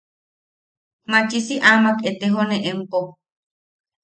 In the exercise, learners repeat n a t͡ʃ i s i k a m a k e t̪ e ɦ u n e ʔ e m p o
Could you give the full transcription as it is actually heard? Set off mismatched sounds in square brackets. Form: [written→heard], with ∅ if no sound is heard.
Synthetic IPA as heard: [n→m] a t͡ʃ i s i [k→ʔ] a m a k e t̪ e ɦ [u→o] n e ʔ e m p o